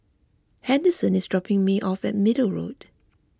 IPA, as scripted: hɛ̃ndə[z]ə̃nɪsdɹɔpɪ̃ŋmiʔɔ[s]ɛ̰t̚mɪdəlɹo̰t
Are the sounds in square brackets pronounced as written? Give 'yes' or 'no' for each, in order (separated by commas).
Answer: no, no